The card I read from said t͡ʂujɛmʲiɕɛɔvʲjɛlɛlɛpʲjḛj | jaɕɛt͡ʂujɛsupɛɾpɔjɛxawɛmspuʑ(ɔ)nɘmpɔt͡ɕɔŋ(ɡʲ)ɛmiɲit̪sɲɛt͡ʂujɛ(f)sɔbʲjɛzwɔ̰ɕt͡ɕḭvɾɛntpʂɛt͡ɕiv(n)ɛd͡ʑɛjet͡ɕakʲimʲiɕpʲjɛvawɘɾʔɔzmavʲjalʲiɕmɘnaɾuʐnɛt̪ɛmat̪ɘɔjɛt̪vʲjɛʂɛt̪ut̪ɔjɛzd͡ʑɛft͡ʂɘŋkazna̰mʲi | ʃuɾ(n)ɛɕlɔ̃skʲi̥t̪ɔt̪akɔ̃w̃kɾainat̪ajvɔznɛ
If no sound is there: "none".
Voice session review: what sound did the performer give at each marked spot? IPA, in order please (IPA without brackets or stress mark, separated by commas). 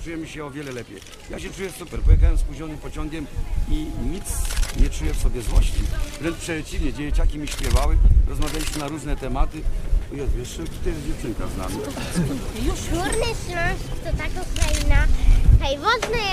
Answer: ɔ, ɡʲ, f, ɲ, n